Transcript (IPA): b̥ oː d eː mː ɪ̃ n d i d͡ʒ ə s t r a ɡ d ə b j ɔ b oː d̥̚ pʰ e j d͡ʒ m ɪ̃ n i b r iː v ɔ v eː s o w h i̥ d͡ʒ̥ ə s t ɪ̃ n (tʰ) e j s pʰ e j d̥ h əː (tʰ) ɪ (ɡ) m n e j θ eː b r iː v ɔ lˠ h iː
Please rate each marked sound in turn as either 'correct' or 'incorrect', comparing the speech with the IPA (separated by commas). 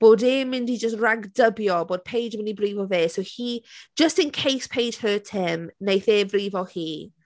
incorrect, correct, incorrect